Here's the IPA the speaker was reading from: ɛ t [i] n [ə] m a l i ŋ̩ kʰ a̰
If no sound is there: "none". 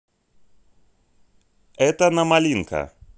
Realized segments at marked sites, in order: a, a

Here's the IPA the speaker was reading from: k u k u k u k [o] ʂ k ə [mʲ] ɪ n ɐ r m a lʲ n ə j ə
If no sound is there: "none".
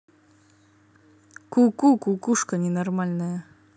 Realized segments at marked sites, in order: u, nʲ

